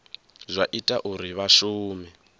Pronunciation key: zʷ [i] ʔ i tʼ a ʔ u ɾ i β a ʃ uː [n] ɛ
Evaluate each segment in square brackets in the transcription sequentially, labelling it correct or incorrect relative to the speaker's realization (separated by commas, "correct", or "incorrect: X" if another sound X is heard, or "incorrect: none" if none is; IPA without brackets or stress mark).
incorrect: a, incorrect: m